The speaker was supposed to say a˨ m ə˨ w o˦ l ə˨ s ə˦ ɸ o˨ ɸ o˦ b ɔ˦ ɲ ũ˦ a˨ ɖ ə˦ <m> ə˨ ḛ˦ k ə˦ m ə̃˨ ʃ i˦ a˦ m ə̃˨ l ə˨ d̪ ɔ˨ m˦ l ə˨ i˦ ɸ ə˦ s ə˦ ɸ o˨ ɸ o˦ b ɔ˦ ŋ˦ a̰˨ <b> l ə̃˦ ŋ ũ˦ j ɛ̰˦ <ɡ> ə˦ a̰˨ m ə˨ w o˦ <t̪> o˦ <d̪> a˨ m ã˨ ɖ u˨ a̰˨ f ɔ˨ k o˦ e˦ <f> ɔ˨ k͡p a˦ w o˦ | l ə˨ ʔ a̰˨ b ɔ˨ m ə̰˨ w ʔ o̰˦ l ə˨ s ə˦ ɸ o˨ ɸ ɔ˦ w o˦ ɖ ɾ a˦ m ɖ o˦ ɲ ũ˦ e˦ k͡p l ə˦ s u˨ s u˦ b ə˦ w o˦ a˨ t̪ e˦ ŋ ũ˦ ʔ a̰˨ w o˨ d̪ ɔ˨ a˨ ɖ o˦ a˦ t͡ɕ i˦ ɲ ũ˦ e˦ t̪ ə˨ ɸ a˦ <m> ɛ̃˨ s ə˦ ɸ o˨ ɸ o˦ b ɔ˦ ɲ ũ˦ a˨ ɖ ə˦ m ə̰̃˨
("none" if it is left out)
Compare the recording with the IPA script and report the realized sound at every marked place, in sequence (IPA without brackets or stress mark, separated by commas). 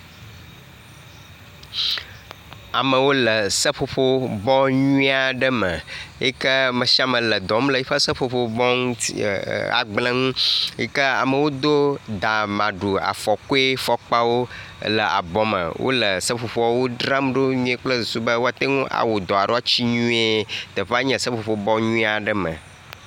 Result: m, ɡ͡b, k, d̪, d̪, f, ɲ